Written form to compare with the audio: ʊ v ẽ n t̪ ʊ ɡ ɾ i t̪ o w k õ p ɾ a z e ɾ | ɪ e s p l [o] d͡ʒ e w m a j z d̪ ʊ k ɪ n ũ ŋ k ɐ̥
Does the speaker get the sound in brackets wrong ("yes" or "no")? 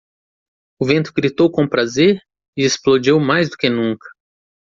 no